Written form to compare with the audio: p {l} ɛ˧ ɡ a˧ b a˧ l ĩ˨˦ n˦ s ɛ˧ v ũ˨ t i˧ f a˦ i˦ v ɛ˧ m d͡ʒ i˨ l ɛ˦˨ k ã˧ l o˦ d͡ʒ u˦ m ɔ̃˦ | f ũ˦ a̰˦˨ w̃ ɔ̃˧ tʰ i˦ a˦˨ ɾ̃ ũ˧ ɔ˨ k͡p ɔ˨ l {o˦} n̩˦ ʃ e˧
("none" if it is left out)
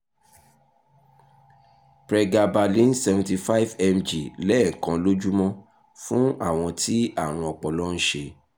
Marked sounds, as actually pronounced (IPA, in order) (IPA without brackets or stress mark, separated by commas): ɾ, ɔ˦